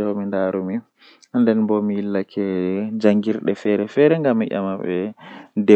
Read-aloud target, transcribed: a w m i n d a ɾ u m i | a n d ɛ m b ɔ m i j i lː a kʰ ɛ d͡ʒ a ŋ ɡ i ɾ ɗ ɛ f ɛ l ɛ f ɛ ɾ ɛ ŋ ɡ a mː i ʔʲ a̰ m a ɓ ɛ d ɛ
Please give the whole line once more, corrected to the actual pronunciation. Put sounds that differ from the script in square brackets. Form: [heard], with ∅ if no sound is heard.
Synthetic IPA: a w m i n d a ɾ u m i | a n d ɛ [n] b ɔ m i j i lː a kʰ ɛ d͡ʒ a ŋ ɡ i ɾ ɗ ɛ f ɛ [ɾ] ɛ f ɛ ɾ ɛ ŋ ɡ a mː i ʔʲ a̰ m a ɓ ɛ d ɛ